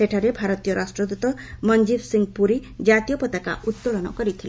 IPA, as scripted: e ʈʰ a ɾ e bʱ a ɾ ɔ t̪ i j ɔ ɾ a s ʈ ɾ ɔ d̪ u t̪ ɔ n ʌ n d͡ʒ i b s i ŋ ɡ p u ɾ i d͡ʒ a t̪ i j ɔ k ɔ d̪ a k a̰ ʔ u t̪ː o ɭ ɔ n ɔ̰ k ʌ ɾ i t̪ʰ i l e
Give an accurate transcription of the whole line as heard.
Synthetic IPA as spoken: e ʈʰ a ɾ e bʱ a ɾ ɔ t̪ i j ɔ ɾ a s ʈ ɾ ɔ d̪ u t̪ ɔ m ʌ n d͡ʒ i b s i ŋ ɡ p u ɾ i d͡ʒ a t̪ i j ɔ p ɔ t̪ a k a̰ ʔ u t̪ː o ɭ ɔ n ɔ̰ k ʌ ɾ i t̪ʰ i l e